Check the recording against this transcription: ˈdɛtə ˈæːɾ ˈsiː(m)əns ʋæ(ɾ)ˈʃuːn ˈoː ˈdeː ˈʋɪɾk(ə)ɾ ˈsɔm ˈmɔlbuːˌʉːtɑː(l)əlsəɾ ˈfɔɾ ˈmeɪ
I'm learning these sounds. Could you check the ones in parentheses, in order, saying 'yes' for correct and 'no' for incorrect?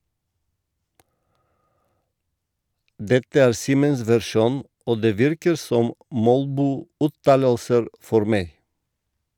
yes, yes, yes, yes

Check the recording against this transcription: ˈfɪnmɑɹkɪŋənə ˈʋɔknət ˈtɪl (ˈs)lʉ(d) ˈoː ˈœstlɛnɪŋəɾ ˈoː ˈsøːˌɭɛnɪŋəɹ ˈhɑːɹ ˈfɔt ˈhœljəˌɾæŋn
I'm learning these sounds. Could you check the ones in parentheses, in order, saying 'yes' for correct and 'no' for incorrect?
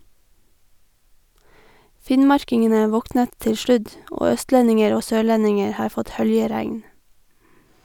no, yes

